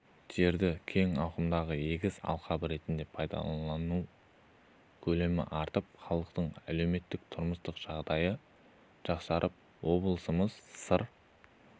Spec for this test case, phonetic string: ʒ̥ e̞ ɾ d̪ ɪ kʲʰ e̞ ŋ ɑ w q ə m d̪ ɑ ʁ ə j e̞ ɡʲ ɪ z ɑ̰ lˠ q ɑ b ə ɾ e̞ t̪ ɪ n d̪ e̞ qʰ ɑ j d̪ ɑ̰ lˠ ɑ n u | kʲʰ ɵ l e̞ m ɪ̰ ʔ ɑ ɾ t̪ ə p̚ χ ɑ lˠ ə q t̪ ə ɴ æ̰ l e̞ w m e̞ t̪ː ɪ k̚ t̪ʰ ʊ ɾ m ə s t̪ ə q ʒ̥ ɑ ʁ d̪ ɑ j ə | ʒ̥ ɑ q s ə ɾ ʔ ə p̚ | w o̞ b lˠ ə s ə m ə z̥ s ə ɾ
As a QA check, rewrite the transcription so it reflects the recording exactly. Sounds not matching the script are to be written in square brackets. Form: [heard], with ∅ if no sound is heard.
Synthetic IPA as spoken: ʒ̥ e̞ ɾ d̪ ɪ kʲʰ e̞ ŋ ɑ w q ə m d̪ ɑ ʁ ə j e̞ ɡʲ ɪ z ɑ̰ lˠ q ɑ b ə ɾ e̞ t̪ ɪ n d̪ e̞ [pʰ] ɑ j d̪ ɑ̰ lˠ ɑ n u | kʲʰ ɵ l e̞ m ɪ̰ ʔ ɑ ɾ t̪ ə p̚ χ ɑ lˠ ə q t̪ ə ɴ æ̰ l e̞ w m e̞ t̪ː ɪ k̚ t̪ʰ ʊ ɾ m ə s t̪ ə q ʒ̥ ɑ ʁ d̪ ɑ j ə | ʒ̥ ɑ q s [ɑ] ɾ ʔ ə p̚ | w o̞ b lˠ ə s ə m ə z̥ s ə ɾ

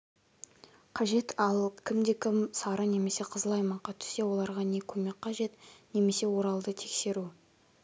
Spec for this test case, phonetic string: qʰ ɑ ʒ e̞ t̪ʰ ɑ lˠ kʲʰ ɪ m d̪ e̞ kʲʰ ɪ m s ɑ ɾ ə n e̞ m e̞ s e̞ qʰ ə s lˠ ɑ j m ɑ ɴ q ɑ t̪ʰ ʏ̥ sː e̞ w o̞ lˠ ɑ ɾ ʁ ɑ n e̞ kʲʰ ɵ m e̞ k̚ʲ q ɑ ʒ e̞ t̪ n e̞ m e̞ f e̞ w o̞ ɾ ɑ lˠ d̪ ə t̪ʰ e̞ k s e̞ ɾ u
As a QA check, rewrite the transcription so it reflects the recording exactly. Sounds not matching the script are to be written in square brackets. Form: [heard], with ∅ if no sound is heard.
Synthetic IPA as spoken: qʰ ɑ ʒ e̞ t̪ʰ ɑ lˠ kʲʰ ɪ m d̪ e̞ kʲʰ ɪ m s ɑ ɾ ə n e̞ m e̞ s e̞ qʰ ə [z] lˠ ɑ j m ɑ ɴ q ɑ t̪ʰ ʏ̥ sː e̞ w o̞ lˠ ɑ ɾ ʁ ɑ n e̞ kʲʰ ɵ m e̞ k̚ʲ q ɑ ʒ e̞ t̪ n e̞ m e̞ [s] e̞ w o̞ ɾ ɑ lˠ d̪ ə t̪ʰ e̞ k s e̞ ɾ u

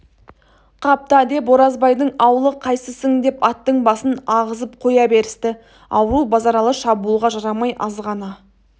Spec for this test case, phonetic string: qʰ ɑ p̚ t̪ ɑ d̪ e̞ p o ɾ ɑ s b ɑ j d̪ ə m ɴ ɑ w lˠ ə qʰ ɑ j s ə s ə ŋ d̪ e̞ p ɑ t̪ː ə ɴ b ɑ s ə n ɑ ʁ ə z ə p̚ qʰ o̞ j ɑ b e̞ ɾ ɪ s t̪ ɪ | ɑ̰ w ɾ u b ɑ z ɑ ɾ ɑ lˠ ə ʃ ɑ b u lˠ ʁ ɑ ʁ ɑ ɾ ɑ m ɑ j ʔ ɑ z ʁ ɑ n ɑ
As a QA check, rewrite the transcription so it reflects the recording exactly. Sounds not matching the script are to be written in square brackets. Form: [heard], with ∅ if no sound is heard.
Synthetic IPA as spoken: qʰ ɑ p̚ t̪ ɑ d̪ e̞ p o ɾ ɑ [z] b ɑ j d̪ ə [∅] ɴ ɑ w lˠ ə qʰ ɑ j s ə s ə ŋ d̪ e̞ p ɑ t̪ː ə ɴ b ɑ s ə n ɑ ʁ ə z ə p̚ qʰ o̞ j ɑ b e̞ ɾ ɪ s t̪ ɪ | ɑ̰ w ɾ u b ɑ z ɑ ɾ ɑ lˠ ə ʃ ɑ b u lˠ ʁ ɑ [ʒ] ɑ ɾ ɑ m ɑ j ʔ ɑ z ʁ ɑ n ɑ

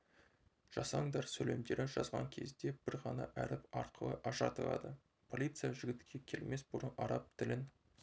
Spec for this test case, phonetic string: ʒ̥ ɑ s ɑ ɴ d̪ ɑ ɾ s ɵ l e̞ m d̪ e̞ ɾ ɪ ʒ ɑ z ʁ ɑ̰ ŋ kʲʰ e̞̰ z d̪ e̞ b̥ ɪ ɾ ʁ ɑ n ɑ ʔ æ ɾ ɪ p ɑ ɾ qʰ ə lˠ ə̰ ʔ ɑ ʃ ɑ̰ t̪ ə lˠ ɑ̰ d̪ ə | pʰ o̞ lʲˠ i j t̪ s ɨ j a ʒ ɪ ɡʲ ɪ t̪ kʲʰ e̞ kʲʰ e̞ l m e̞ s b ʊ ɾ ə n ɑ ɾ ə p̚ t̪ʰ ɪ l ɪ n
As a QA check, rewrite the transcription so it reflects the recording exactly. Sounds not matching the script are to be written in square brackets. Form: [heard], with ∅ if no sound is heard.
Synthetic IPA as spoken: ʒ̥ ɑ s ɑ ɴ d̪ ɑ ɾ s ɵ l e̞ m d̪ e̞ ɾ ɪ ʒ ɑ z ʁ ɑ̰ ŋ kʲʰ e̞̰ z d̪ e̞ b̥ ɪ ɾ ʁ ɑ n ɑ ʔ æ ɾ ɪ p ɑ ɾ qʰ ə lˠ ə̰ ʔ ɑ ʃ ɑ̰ t̪ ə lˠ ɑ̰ d̪ ə | pʰ o̞ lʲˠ i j t̪ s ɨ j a ʒ ɪ ɡʲ ɪ t̪ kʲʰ e̞ kʲʰ e̞ l m e̞ s b ʊ ɾ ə n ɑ ɾ [ɑ] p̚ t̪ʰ ɪ l ɪ n

